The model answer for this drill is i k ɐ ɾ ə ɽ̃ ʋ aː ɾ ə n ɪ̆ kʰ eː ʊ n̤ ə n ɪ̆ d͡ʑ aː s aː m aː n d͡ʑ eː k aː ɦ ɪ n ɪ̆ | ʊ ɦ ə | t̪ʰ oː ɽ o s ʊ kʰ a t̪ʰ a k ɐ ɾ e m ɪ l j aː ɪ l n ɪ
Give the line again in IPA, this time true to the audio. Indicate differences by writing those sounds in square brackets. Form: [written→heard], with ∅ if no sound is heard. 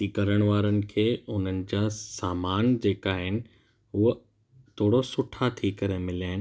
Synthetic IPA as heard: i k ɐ ɾ ə ɽ̃ ʋ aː ɾ ə n ɪ̆ kʰ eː ʊ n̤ ə n ɪ̆ d͡ʑ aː s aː m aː n d͡ʑ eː k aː ɦ ɪ n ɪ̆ | ʊ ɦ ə | t̪ʰ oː ɽ o s ʊ [kʰ→ʈʰ] a t̪ʰ [a→i] k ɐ ɾ e m ɪ l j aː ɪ [l→∅] n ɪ